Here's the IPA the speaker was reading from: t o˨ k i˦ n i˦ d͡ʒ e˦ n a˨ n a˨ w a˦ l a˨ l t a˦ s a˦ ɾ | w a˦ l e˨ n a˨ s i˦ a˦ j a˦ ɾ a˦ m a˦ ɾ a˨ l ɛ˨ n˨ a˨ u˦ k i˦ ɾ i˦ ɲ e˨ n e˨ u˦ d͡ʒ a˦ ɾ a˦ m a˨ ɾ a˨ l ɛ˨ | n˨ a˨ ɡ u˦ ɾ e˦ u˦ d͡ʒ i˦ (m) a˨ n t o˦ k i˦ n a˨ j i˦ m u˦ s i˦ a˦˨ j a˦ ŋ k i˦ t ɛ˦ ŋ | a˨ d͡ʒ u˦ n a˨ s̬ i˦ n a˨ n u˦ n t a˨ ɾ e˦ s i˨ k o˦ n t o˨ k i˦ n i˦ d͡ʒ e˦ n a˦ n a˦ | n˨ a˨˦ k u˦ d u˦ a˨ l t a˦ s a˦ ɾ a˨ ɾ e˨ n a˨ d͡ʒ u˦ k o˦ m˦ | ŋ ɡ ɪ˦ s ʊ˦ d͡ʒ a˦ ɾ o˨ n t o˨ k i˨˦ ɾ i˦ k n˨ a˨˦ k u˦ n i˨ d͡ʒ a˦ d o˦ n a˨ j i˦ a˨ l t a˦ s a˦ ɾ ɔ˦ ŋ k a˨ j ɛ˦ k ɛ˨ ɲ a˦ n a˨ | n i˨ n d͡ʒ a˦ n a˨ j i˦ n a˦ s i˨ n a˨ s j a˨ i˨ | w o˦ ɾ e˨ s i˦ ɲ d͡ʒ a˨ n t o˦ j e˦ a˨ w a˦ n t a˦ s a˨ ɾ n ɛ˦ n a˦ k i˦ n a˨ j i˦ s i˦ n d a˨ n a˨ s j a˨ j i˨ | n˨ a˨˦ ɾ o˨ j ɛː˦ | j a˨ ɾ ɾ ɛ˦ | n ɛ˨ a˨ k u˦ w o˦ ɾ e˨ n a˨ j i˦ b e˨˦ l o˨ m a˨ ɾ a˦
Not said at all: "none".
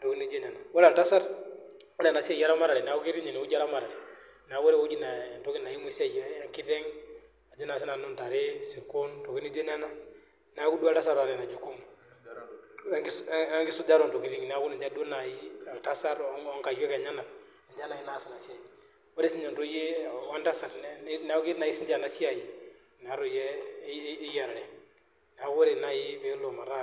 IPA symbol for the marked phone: n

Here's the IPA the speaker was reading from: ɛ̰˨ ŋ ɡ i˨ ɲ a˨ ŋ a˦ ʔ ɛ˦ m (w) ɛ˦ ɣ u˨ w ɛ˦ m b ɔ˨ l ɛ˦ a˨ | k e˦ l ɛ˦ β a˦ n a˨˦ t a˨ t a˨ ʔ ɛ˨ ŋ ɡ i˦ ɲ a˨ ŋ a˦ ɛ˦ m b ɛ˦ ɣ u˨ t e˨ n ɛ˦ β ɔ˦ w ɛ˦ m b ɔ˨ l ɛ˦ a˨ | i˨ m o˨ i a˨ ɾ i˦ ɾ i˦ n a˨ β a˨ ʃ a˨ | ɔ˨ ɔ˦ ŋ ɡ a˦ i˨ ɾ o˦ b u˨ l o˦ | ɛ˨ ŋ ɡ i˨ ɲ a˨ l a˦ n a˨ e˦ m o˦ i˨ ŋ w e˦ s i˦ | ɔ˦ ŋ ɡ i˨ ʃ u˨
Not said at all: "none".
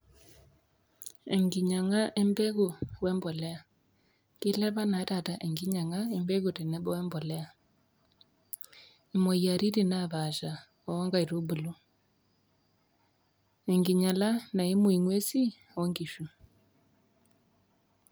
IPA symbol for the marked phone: b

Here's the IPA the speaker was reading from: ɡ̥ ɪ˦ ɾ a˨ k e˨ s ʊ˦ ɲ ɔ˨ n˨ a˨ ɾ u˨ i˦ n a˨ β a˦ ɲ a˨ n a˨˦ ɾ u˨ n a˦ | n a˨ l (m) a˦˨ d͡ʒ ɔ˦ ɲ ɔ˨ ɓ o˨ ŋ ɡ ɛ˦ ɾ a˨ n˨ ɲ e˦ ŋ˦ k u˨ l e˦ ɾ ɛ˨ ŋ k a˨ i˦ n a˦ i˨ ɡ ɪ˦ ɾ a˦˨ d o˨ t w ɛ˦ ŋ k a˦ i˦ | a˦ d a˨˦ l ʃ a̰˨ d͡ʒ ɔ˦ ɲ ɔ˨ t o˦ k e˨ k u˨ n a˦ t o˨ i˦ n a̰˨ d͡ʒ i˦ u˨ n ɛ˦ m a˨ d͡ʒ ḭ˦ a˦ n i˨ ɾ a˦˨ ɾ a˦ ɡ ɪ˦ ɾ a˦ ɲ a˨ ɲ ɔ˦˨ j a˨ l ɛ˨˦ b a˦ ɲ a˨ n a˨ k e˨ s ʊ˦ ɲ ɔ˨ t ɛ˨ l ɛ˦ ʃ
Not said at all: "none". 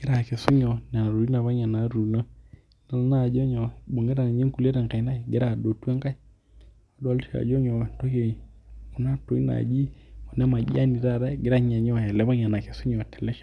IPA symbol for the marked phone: n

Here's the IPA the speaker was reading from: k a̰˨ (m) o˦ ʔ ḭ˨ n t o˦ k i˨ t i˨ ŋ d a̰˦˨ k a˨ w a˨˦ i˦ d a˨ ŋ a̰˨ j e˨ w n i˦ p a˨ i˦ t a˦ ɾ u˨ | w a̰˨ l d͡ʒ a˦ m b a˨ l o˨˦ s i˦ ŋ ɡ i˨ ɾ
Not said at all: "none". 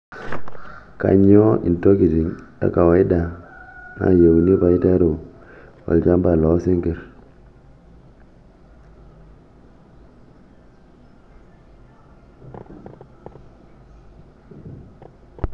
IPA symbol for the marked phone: ɲ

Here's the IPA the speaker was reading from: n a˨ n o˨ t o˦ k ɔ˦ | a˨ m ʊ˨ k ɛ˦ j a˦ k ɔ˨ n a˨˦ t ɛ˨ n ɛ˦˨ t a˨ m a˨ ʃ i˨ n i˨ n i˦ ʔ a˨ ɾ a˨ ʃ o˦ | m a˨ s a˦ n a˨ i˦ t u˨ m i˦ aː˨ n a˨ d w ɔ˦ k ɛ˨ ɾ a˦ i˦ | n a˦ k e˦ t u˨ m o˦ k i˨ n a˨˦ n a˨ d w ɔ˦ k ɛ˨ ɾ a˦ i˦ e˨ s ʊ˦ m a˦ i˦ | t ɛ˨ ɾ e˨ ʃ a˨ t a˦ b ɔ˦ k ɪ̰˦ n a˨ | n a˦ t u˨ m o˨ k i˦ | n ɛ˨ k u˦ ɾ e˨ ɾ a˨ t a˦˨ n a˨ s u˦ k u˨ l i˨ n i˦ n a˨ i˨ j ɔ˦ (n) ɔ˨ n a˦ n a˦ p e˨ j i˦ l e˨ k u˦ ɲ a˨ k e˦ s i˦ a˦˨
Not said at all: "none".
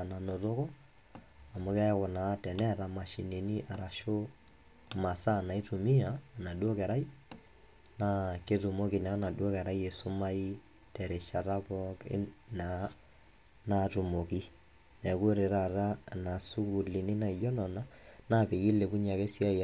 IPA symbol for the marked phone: n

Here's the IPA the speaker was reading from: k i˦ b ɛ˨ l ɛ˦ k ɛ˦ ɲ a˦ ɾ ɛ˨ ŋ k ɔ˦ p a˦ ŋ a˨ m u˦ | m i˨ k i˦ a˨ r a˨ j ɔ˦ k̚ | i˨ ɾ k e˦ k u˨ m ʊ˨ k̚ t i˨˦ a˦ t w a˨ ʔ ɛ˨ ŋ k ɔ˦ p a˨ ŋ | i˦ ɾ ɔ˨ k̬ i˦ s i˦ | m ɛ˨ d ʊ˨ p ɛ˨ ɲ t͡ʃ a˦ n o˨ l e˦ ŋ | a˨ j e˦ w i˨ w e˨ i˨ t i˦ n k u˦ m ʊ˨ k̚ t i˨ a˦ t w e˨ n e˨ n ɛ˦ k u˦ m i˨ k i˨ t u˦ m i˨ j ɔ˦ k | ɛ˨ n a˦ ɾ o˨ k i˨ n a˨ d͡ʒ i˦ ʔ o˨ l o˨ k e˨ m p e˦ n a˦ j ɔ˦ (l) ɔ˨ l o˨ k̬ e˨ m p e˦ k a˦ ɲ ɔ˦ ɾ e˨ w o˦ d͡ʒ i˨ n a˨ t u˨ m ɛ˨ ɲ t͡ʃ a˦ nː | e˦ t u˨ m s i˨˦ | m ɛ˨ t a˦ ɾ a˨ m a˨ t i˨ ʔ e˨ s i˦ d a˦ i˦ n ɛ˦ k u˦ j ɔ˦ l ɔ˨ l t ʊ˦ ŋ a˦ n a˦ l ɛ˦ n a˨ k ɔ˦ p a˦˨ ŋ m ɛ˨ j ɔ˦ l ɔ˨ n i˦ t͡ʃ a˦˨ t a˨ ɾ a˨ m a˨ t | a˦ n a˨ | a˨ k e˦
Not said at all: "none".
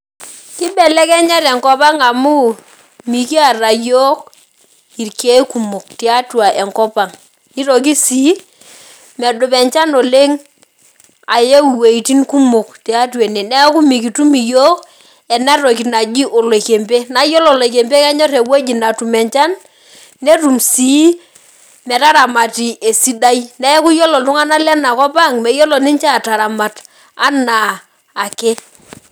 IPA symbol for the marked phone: l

